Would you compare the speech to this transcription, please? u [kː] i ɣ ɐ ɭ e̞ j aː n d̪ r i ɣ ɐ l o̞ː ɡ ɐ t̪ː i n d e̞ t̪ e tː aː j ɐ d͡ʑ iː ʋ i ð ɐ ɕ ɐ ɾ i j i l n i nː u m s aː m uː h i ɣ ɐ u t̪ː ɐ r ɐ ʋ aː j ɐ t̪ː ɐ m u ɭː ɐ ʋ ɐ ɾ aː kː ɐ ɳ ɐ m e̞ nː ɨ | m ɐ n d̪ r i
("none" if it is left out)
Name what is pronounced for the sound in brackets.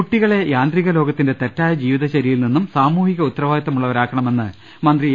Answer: ʈː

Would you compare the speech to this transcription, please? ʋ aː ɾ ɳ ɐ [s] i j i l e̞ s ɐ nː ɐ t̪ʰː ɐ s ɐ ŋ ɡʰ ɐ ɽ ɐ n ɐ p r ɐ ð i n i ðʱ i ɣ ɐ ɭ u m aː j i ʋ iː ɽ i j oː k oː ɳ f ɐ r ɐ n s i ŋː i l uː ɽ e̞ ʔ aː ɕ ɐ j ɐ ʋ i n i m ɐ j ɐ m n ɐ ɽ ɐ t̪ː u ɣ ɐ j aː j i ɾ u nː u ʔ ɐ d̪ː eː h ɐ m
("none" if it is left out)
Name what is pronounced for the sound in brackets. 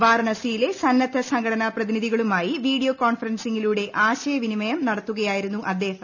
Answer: s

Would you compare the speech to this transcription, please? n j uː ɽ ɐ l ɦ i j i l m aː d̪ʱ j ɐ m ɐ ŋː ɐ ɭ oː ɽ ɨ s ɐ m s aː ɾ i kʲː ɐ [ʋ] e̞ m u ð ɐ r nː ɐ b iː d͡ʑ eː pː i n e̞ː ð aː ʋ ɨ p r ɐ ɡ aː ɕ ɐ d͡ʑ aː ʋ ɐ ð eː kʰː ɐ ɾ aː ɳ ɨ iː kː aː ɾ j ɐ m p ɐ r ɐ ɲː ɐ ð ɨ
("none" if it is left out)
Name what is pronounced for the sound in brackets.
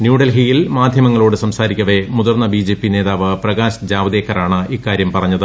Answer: ʋ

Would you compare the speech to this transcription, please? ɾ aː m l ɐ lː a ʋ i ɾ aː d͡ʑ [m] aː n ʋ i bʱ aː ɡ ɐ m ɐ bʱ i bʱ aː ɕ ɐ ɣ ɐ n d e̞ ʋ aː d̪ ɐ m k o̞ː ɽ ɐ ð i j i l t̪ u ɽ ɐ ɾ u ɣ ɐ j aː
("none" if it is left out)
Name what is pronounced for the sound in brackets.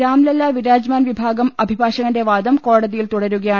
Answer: m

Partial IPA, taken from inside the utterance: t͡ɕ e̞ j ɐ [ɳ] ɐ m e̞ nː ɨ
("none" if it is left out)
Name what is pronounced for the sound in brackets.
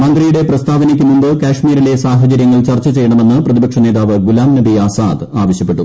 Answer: ɳ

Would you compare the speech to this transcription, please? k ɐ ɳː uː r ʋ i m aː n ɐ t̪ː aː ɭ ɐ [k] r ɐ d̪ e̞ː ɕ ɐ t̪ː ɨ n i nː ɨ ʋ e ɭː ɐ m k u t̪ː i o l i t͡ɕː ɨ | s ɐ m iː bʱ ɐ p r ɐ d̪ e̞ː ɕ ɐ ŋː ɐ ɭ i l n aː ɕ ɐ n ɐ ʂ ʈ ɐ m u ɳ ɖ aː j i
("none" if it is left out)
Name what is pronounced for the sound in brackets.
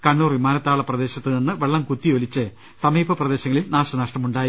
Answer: p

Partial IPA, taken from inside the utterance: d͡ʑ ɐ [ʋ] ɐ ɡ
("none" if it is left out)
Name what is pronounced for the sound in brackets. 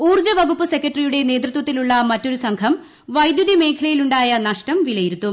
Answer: ʋ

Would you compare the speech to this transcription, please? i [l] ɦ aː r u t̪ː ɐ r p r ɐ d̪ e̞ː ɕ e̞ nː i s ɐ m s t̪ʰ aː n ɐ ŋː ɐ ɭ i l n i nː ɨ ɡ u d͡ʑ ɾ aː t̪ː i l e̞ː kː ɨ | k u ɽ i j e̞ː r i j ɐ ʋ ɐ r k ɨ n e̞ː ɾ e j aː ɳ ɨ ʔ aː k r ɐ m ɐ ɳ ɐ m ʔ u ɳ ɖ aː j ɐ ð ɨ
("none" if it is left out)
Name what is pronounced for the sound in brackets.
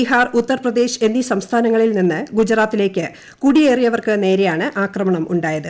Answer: none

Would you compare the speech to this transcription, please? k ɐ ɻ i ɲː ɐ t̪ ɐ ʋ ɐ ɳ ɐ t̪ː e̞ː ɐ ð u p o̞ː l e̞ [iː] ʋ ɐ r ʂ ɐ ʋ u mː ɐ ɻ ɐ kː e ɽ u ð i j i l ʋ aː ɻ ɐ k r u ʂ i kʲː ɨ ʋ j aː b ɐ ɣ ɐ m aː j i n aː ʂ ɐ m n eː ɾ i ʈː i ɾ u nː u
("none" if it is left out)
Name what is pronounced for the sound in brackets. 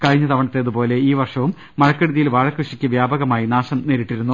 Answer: iː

